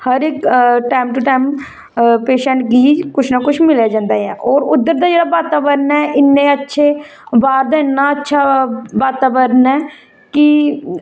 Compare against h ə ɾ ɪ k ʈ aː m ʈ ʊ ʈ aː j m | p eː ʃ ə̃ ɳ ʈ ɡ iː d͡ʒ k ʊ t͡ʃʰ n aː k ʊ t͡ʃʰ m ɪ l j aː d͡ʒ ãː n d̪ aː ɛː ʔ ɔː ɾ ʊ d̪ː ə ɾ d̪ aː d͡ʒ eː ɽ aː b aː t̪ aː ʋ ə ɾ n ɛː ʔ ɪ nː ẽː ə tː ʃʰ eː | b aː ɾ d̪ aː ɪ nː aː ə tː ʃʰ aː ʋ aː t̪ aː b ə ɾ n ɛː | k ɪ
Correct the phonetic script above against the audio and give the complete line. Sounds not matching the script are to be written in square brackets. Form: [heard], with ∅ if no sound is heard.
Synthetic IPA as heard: h ə ɾ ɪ k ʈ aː m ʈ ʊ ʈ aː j m | p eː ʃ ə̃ ɳ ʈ ɡ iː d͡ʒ k ʊ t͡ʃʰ n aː k ʊ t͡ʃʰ m ɪ l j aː d͡ʒ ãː n d̪ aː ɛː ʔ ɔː ɾ ʊ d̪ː ə ɾ d̪ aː d͡ʒ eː ɽ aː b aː t̪ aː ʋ ə ɾ n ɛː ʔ ɪ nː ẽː ə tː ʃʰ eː | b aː ɾ d̪ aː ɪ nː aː ə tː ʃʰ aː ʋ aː t̪ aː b ə ɾ n ɛː | k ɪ

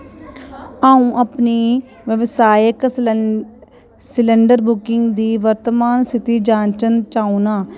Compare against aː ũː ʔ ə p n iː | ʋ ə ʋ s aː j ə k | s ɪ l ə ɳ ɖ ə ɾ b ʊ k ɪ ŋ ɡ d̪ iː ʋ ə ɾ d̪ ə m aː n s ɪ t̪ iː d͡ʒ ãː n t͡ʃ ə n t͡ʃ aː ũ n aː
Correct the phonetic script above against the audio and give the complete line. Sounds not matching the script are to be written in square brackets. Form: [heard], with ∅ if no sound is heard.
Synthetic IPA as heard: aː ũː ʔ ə p n iː | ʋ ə ʋ s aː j ə k | s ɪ l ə ɳ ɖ ə ɾ b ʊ k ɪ ŋ ɡ d̪ iː ʋ ə ɾ [t̪] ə m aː n s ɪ t̪ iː d͡ʒ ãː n t͡ʃ ə n t͡ʃ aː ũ n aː

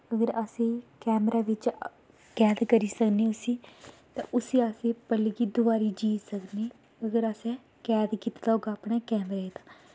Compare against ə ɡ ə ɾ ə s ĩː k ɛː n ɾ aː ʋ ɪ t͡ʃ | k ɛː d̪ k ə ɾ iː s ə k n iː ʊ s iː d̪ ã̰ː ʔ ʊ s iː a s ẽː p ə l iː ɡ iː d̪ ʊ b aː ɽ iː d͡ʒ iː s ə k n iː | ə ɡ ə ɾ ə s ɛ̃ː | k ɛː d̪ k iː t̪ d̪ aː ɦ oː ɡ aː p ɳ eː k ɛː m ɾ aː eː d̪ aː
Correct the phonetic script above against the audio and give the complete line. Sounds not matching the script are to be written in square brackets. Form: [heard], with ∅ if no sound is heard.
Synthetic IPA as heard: ə ɡ ə ɾ ə s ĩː k ɛː [m] ɾ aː ʋ ɪ t͡ʃ | k ɛː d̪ k ə ɾ iː s ə k n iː ʊ s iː [t̪] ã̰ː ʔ ʊ s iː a s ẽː p ə l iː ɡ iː d̪ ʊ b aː [ɾ] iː d͡ʒ iː s ə k n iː | ə ɡ ə ɾ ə s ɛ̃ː | k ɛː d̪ k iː t̪ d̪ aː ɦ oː ɡ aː p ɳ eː k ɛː m ɾ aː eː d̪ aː

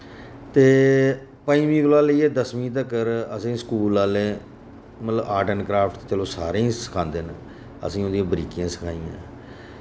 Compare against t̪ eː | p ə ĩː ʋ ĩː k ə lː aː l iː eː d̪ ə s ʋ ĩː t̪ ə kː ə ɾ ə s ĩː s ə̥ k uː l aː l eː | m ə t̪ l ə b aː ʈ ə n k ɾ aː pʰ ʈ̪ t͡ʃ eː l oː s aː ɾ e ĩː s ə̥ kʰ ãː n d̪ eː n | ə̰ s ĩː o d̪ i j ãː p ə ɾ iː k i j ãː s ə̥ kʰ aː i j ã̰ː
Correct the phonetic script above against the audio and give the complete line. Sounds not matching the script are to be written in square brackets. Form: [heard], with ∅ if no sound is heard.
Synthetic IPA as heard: t̪ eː | p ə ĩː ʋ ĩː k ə [l] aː l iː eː d̪ ə s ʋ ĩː t̪ ə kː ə ɾ ə s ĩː s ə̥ k uː l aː l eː | m ə t̪ l ə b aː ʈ ə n k ɾ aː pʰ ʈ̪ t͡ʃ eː l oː s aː ɾ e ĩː s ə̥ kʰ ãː n d̪ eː n | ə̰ s ĩː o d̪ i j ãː [b] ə ɾ iː k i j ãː s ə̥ kʰ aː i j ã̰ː

